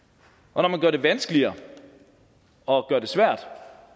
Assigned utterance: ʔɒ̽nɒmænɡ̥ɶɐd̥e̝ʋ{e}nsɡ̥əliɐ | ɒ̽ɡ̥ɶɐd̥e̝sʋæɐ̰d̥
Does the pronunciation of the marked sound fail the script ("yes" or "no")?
yes